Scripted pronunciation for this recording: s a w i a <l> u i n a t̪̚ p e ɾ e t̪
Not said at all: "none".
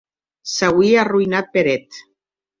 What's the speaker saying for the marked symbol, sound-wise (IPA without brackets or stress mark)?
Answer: r